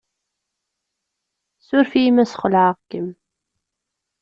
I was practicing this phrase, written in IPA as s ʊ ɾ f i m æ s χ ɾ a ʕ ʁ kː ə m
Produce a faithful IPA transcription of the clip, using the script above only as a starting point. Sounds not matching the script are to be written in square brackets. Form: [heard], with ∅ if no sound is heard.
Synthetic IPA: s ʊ ɾ f i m æ s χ [l] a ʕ ʁ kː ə m

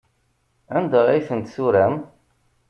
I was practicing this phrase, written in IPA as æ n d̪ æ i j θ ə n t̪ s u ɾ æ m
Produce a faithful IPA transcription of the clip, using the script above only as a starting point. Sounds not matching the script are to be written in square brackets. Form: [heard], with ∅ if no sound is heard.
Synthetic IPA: æ n d̪ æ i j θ ə n t̪ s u ɾ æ m

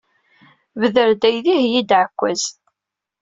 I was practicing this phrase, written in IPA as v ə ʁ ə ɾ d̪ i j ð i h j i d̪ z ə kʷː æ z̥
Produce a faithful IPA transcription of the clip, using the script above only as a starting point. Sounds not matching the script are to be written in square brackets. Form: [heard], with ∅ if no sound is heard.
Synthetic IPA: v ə [ð] ə ɾ d̪ [æ] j ð i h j i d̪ [ʕ] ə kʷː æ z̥

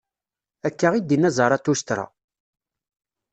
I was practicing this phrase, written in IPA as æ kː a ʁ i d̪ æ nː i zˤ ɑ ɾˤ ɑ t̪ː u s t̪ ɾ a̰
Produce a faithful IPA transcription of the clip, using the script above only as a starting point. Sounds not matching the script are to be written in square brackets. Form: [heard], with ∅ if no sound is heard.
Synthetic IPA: æ kː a ʁ i d̪ [i] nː [æ] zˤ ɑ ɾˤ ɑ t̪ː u s t̪ ɾ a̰

